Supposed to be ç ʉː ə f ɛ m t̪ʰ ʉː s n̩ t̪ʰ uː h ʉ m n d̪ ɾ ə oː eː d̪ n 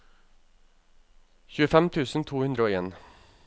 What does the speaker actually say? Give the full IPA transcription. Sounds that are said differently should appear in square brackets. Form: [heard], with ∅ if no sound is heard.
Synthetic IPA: ç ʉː ə f ɛ m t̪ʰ ʉː s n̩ t̪ʰ uː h ʉ [∅] n d̪ ɾ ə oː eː [∅] n